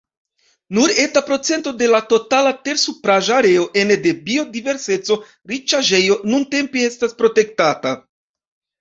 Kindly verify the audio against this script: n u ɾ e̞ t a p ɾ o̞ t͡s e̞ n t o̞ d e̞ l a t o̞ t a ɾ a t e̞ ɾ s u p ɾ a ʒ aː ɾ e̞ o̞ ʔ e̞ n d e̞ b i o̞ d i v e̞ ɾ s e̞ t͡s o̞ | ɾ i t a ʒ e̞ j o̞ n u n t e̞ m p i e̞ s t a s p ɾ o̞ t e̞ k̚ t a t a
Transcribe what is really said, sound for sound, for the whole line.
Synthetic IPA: n u ɾ e̞ t a p ɾ o̞ t͡s e̞ n t o̞ d e̞ l a t o̞ t a l a t e̞ ɾ s u p ɾ a ʒ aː ɾ e̞ o̞ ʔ e̞ n d e̞ b i o̞ d i v e̞ ɾ s e̞ t͡s o̞ | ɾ i t͡ʃ a ʒ e̞ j o̞ n u n t e̞ m p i e̞ s t a s p ɾ o̞ t e̞ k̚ t a t a